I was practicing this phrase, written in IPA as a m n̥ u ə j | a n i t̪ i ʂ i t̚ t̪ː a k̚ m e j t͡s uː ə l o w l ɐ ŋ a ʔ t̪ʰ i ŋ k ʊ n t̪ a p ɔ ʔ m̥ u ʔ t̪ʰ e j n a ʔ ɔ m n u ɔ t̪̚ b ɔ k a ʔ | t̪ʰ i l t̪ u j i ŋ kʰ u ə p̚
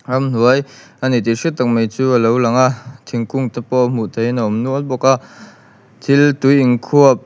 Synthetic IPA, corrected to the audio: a m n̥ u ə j | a n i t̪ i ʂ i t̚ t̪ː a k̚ m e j t͡s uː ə l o w l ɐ ŋ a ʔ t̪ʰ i ŋ k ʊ ŋ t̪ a p ɔ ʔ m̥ u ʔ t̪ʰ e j n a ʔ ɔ m n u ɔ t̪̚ b ɔ k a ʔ | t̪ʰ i l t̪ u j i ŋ kʰ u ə p̚